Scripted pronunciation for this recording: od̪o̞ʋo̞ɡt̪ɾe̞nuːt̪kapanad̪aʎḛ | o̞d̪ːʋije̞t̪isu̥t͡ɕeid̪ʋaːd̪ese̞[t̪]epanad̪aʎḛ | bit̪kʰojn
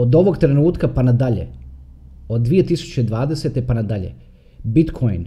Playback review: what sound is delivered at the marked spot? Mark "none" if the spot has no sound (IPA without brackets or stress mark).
t̪